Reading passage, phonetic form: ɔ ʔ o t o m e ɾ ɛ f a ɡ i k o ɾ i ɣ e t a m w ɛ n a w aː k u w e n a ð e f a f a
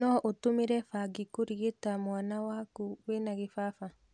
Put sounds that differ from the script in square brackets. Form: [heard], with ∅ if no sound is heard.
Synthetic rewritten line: ɔ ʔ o t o m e ɾ ɛ f a ɡ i k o ɾ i ɣ e t a m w [a] n a w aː k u w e n a [ɣ] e f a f a

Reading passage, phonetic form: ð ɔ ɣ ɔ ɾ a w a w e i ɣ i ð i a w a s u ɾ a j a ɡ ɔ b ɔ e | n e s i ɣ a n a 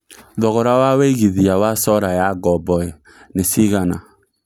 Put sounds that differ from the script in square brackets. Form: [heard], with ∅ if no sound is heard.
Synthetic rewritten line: ð ɔ ɣ ɔ ɾ a w a w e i ɣ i ð i a w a s [ɔ] ɾ a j a ɡ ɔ b ɔ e | n e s i ɣ a n a

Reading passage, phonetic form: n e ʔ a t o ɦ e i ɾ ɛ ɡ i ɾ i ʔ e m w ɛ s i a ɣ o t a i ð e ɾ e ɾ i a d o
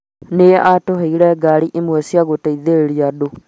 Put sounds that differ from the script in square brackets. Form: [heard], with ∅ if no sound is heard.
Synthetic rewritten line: n e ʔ a t o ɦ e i ɾ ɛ ɡ [a] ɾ i ʔ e m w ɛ s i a ɣ o t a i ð e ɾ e ɾ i a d o

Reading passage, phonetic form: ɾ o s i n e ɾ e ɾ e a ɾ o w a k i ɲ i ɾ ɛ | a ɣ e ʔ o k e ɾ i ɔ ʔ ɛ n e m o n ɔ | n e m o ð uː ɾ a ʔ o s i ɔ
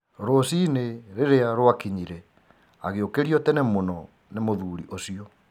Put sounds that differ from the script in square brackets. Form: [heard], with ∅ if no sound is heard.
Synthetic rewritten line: ɾ o s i n e ɾ e ɾ e a ɾ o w a k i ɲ i ɾ ɛ | a ɣ e [∅] o k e ɾ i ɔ [t] ɛ n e m o n ɔ | n e m o ð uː ɾ [i] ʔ o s i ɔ

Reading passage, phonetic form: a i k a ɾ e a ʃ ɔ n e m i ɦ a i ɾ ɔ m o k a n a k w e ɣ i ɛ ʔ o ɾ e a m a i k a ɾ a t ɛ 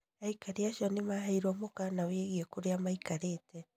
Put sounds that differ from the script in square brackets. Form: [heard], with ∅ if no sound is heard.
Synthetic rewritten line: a i k a ɾ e a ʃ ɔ n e m [a] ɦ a i ɾ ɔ m o k a n a [∅] w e ɣ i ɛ [k] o ɾ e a m a i k a ɾ [e] t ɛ

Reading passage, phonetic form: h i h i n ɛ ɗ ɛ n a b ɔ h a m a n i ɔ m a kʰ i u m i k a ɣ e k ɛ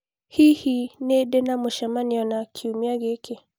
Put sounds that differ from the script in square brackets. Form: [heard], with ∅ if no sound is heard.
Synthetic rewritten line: h i h i n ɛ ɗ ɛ n a [m] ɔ [ʃ] a m a n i ɔ [n] a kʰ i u m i [∅] a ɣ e k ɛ

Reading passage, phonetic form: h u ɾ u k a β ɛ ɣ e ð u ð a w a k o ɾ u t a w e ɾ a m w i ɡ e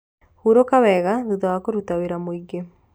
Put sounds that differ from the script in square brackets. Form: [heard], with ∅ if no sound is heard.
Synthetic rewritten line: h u ɾ [o] k a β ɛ ɣ [a] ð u ð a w a k o ɾ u t a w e ɾ a m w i ɡ e

